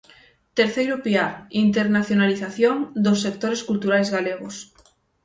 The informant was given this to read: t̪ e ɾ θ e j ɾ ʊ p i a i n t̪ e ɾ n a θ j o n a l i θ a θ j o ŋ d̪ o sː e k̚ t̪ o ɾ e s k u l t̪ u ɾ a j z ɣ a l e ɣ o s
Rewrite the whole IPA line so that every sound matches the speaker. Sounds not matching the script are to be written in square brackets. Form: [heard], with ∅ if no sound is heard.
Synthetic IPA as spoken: t̪ e ɾ θ e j ɾ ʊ p i a i n t̪ e ɾ n a θ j o n a l i θ a θ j o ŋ d̪ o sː e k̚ t̪ o ɾ e s k u l t̪ u ɾ a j z ɣ a l e ɣ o s